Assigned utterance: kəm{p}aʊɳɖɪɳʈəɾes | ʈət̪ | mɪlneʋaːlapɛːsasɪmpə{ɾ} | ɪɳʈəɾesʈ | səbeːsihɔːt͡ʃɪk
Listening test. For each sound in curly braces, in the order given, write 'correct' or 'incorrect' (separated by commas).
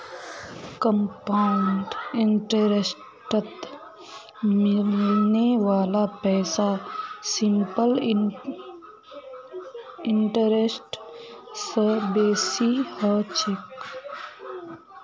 correct, incorrect